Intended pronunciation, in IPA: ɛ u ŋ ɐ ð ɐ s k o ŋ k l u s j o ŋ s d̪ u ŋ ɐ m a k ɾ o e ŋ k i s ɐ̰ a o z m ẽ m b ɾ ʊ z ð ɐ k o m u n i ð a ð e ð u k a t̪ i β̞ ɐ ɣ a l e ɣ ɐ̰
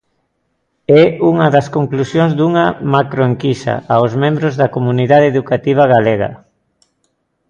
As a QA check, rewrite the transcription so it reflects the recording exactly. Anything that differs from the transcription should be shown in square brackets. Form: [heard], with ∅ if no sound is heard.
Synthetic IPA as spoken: ɛ u ŋ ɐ ð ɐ s k o ŋ k l u s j o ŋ [z] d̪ u ŋ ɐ m a k ɾ o e ŋ k i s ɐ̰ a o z m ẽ m b ɾ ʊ z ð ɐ k o m u n i ð a ð e ð u k a t̪ i β̞ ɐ ɣ a l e ɣ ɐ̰